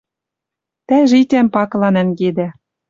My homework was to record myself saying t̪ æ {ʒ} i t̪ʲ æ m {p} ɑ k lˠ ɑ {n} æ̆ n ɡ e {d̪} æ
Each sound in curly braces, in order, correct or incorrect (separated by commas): correct, correct, correct, correct